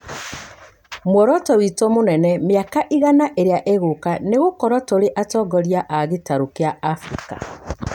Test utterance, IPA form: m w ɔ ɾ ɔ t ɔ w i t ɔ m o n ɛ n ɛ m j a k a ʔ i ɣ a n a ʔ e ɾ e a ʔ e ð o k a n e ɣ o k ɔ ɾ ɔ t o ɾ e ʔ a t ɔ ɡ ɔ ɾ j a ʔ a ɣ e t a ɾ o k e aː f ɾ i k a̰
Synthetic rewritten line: m w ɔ ɾ ɔ t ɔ w i t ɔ m o n ɛ n ɛ m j a k a ʔ i ɣ a n a ʔ e ɾ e a ʔ e ɣ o k a n e ɣ o k ɔ ɾ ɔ t o ɾ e ʔ a t ɔ ɡ ɔ ɾ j a ʔ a ɣ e t a ɾ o k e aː f ɾ i k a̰

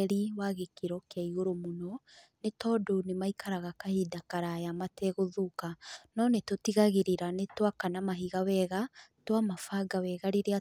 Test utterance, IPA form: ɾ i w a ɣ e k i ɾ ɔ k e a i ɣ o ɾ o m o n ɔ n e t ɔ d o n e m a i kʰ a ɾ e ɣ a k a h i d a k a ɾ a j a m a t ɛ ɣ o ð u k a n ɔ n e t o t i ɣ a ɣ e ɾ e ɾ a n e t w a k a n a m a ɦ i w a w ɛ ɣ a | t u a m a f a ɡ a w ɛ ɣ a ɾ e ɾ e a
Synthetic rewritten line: ɾ i w a ɣ e k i ɾ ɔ k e a i ɣ o ɾ o m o n ɔ n e t ɔ d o n e m a i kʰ a ɾ a ɣ a k a h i d a k a ɾ a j a m a t ɛ ɣ o ð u k a n ɔ n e t o t i ɣ a ɣ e ɾ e ɾ a n e t w a k a n a m a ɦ i ɣ a w ɛ ɣ a | t w a m a f a ɡ a w ɛ ɣ a ɾ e ɾ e a

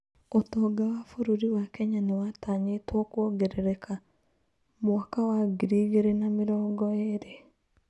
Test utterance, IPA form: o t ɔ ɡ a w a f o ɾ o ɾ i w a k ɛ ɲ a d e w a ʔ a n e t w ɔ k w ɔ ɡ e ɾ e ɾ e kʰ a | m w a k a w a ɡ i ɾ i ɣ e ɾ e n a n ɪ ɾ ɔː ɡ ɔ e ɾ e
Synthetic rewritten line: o t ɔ ɡ a w a f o ɾ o ɾ i w a k ɛ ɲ a n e w a t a ɲ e t w ɔ k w ɔ ɡ e ɾ e ɾ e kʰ a | m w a k a w a ɡ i ɾ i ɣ e ɾ e n a m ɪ ɾ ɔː ɡ ɔ e ɾ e

